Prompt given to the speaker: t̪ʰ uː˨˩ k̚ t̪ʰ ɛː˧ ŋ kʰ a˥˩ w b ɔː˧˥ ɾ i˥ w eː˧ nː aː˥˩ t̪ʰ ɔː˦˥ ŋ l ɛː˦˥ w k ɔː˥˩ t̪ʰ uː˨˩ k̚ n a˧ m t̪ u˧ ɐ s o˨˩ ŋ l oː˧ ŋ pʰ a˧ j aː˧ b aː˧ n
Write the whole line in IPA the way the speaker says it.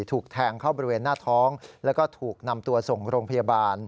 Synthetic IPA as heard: t̪ʰ uː˨˩ k̚ t̪ʰ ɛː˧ ŋ kʰ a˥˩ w b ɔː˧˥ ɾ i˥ w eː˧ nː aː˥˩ t̪ʰ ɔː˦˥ ŋ l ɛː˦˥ w k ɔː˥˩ t̪ʰ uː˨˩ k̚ n a˧ m t̪ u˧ ɐ s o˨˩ ŋ ɾ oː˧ ŋ pʰ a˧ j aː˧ b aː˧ n